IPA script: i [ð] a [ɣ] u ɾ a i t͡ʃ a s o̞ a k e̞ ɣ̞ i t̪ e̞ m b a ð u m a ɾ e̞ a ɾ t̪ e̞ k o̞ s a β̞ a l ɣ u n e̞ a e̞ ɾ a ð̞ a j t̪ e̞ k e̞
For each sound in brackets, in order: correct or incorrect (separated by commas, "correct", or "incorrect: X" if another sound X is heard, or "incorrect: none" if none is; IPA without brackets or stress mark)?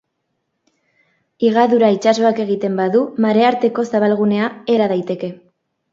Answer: incorrect: ɣ, incorrect: ð